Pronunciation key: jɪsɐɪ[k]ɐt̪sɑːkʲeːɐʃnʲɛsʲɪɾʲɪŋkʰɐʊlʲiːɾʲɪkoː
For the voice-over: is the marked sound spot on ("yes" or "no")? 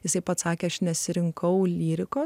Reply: no